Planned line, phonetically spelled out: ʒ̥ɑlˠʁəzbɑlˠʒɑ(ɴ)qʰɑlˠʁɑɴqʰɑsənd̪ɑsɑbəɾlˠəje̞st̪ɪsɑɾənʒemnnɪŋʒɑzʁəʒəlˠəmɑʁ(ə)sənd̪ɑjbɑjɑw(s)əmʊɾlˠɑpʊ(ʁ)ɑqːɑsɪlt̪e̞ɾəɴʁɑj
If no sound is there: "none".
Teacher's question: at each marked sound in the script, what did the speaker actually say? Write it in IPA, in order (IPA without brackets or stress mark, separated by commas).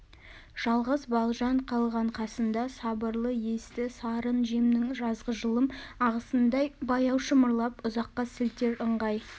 ɴ, ə, ʃ, z